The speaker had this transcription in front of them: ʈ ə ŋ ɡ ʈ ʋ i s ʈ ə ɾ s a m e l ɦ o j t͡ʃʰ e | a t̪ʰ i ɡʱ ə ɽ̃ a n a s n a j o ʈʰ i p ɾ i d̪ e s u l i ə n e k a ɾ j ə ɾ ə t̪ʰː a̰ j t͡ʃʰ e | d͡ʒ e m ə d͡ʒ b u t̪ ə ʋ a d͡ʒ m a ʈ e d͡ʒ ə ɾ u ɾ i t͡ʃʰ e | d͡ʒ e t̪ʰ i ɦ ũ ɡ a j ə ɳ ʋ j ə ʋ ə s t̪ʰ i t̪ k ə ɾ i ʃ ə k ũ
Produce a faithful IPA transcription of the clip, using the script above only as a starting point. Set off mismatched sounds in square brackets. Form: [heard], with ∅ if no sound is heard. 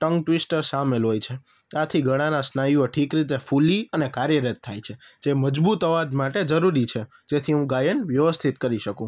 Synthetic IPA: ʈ ə ŋ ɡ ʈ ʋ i s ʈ ə ɾ s a m e l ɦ o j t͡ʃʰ e | a t̪ʰ i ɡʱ ə ɽ̃ a n a s n a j o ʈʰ i [k] ɾ i [t̪] e [f] u l i ə n e k a ɾ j ə ɾ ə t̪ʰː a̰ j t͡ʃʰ e | d͡ʒ e m ə d͡ʒ b u t̪ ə ʋ a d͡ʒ m a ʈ e d͡ʒ ə ɾ u ɾ i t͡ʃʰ e | d͡ʒ e t̪ʰ i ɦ ũ ɡ a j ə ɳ ʋ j ə ʋ ə s t̪ʰ i t̪ k ə ɾ i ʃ ə k ũ